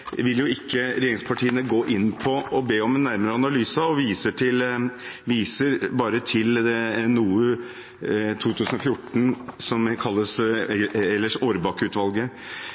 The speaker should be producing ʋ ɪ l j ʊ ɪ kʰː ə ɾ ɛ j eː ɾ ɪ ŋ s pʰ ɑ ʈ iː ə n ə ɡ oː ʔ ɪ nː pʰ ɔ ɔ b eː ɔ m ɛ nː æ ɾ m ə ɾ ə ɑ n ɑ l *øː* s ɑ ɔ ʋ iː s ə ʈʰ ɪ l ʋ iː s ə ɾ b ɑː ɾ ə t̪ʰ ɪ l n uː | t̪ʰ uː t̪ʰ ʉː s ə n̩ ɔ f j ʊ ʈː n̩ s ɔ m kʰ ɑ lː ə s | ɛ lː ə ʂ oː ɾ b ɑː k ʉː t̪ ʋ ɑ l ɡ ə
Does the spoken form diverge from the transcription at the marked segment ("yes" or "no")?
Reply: yes